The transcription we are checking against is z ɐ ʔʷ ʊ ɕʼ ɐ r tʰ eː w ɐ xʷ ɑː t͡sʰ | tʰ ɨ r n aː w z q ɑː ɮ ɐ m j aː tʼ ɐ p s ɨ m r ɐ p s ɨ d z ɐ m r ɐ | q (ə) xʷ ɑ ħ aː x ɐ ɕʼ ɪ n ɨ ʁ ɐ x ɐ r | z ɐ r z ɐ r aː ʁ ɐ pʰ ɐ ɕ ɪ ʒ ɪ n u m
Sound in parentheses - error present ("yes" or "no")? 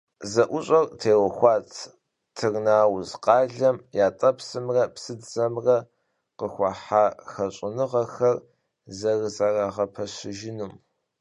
no